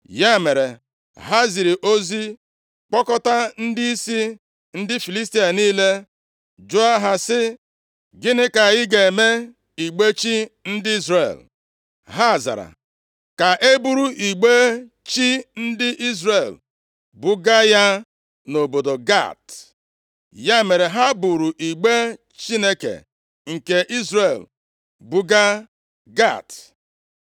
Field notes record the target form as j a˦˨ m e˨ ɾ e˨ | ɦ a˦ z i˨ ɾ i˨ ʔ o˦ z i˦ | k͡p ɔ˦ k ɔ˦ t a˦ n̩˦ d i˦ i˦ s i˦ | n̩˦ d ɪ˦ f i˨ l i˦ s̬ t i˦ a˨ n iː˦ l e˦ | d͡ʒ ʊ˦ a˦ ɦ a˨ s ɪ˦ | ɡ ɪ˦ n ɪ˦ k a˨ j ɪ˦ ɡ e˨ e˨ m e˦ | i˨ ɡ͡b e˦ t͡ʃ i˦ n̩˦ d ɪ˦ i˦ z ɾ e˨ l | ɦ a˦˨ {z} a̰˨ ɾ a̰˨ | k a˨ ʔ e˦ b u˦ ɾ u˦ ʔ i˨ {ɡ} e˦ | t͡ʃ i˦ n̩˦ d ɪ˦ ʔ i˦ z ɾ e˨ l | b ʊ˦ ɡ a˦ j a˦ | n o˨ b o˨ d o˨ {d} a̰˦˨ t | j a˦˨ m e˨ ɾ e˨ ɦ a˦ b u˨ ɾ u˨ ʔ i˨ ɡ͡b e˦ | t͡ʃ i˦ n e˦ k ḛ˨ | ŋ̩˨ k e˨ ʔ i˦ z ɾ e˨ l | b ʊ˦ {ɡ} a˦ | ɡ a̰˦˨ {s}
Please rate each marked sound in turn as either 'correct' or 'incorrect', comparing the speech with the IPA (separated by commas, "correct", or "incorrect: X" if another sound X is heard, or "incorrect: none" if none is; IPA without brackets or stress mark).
correct, incorrect: ɡ͡b, incorrect: ɡ, correct, incorrect: t